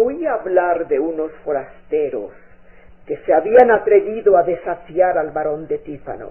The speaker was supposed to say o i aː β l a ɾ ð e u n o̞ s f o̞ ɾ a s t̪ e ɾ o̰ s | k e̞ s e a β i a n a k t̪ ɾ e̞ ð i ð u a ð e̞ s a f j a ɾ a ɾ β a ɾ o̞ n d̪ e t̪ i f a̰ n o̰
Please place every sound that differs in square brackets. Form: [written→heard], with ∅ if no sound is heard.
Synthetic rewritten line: o i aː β l a ɾ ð e u n o̞ s f o̞ ɾ a s t̪ e ɾ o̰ s | k e̞ s e a β i a n a [k→∅] t̪ ɾ e̞ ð i ð [u→o] a ð e̞ s a f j a ɾ a [ɾ→l] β a ɾ o̞ n d̪ e t̪ i f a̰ n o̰